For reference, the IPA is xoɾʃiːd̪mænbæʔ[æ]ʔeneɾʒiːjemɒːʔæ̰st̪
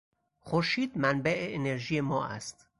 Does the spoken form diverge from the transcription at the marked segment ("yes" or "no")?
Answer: yes